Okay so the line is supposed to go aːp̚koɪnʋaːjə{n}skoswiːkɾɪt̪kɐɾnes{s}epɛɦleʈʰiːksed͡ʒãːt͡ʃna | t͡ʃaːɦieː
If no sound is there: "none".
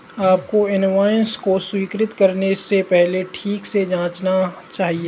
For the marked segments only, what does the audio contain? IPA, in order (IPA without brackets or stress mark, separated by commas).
n, s